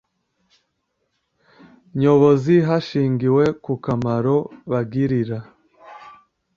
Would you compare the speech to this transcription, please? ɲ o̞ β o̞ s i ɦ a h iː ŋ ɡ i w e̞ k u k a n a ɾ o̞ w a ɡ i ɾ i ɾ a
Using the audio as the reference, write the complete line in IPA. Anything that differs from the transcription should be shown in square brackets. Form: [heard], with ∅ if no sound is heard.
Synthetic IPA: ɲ o̞ β o̞ [z] i ɦ a [ʃ] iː ŋ ɡ i w e̞ k u k a [m] a ɾ o̞ [β] a ɡ i ɾ i ɾ a